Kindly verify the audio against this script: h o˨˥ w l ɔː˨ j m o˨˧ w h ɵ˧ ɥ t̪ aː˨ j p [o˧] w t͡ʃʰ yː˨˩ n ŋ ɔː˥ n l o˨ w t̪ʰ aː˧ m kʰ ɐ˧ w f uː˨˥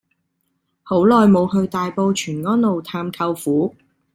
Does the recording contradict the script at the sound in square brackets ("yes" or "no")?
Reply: no